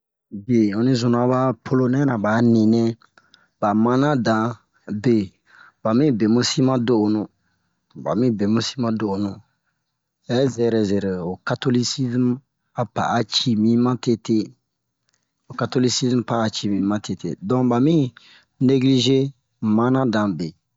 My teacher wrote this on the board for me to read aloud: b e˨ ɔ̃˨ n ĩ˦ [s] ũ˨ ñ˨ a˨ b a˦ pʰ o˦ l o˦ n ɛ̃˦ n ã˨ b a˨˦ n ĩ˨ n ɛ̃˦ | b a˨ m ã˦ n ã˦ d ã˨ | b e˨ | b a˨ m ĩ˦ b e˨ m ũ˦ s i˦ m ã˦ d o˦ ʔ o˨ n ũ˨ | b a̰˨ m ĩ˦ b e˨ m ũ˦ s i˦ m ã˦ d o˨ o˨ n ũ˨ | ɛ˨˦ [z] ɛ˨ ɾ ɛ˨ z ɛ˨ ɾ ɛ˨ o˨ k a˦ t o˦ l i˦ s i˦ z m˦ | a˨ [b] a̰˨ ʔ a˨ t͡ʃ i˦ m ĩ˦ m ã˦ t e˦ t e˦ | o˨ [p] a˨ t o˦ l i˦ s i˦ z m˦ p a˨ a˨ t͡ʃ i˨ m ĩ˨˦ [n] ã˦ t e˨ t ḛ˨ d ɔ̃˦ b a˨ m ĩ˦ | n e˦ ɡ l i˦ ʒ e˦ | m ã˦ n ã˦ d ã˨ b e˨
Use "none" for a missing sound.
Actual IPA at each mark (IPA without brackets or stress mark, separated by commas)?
z, z, p, k, m